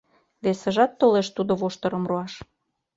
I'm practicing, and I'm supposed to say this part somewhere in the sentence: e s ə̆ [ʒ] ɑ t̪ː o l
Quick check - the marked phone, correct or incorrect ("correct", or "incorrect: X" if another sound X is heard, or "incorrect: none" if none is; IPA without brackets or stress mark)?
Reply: correct